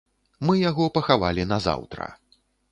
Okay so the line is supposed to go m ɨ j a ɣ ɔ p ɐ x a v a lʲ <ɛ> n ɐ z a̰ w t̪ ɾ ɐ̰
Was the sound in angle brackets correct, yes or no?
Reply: no